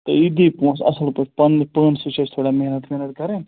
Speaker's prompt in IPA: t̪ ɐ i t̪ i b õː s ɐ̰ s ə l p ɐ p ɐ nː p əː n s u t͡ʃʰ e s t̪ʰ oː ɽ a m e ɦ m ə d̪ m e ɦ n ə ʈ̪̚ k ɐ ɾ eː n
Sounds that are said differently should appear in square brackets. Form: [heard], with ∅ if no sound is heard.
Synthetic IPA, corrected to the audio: t̪ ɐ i [d̪] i [p] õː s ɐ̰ s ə l p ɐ p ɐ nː p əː n s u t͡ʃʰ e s t̪ʰ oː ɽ a m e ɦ [n] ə [t̪] m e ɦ n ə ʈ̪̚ k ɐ ɾ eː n